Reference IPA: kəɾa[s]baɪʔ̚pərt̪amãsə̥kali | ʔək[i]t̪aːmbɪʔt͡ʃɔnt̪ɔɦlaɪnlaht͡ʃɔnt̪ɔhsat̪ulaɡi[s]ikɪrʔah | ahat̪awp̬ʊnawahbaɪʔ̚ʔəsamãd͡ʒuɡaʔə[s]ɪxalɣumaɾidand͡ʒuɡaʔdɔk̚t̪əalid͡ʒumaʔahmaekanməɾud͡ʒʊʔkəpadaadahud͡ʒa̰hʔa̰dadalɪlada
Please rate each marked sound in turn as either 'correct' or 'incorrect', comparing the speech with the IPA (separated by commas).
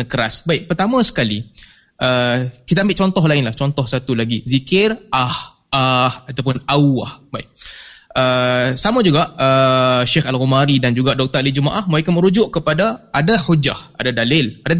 correct, correct, incorrect, incorrect